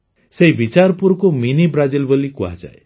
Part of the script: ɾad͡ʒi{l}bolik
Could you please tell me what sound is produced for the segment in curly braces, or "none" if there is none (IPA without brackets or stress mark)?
l